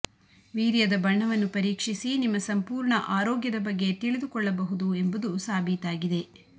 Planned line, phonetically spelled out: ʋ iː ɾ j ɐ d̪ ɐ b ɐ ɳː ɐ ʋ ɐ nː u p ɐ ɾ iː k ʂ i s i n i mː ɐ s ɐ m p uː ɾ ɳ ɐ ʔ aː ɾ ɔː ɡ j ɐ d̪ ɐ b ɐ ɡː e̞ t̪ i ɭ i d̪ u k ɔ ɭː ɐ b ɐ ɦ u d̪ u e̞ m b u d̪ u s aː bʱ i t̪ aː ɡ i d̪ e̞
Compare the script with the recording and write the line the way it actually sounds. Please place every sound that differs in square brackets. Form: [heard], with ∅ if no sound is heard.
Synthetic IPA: ʋ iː ɾ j ɐ d̪ ɐ b ɐ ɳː ɐ ʋ ɐ nː u p ɐ ɾ iː k ʂ i s i n i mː ɐ s ɐ m p uː ɾ ɳ ɐ ʔ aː ɾ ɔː ɡ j ɐ d̪ ɐ b ɐ ɡː e̞ t̪ i ɭ i d̪ u k ɔ ɭː ɐ b ɐ ɦ u d̪ u e̞ m b u d̪ u s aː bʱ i t̪ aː ɡ i d̪ e̞